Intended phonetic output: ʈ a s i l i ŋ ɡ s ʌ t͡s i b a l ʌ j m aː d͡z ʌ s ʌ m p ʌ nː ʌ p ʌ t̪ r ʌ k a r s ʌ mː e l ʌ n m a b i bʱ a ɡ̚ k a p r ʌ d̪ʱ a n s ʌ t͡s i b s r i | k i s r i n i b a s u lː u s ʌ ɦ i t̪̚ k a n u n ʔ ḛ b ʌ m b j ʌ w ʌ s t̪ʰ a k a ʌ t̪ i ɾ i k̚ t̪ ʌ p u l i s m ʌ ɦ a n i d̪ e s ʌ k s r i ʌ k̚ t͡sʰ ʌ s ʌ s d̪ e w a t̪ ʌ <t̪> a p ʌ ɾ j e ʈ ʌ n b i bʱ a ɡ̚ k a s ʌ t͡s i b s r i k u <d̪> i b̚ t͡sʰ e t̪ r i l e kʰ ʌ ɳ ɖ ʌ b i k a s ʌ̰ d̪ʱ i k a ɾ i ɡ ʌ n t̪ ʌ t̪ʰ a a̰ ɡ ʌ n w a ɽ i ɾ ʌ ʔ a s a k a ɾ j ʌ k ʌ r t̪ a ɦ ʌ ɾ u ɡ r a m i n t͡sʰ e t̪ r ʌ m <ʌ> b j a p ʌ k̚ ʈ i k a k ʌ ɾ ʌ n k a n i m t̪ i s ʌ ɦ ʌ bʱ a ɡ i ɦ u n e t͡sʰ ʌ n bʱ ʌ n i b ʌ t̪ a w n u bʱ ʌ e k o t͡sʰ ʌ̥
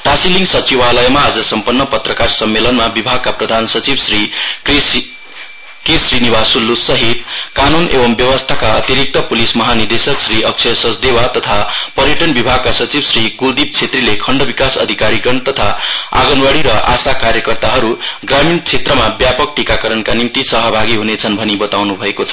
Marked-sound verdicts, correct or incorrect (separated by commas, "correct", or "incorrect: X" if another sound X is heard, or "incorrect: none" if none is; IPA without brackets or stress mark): incorrect: t̪ʰ, correct, incorrect: a